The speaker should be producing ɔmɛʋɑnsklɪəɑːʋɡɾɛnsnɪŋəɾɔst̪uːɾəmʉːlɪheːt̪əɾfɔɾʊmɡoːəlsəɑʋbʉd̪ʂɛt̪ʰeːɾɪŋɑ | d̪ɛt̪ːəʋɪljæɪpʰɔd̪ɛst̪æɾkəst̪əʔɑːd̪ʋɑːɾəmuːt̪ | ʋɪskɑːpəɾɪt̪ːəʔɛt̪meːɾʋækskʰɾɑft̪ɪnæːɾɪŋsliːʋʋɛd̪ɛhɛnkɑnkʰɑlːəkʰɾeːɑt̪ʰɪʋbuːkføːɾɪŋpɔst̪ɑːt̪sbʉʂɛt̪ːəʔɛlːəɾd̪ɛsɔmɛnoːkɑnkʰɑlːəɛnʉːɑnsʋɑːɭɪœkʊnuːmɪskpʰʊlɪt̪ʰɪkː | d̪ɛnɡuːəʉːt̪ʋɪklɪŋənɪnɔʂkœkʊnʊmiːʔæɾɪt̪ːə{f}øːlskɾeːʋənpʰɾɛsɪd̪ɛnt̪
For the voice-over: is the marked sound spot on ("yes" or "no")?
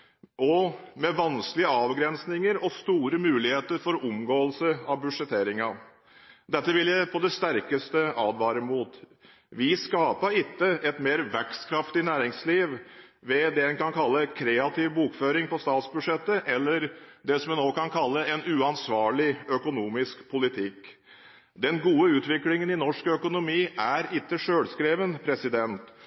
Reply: no